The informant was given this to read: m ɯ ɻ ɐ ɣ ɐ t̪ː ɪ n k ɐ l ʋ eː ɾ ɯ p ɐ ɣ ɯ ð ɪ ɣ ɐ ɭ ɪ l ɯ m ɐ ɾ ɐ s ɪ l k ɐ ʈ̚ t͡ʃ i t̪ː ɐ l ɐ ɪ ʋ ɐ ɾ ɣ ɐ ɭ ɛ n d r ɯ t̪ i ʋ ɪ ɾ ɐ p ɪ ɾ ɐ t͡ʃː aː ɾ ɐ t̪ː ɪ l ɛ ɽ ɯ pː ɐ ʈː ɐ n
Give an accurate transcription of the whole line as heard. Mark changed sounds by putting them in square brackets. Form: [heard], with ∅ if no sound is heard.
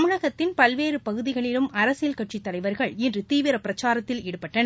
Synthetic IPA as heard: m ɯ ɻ ɐ ɣ ɐ t̪ː ɪ n [p] ɐ l ʋ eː ɾ ɯ p ɐ ɣ ɯ ð ɪ ɣ ɐ ɭ ɪ l ɯ m ɐ ɾ ɐ s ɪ l k ɐ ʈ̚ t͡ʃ i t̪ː ɐ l ɐ ɪ ʋ ɐ ɾ ɣ ɐ ɭ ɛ n d r ɯ t̪ [iː] ʋ ɪ ɾ ɐ p ɪ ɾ ɐ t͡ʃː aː ɾ ɐ t̪ː ɪ l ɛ ɽ ɯ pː ɐ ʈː ɐ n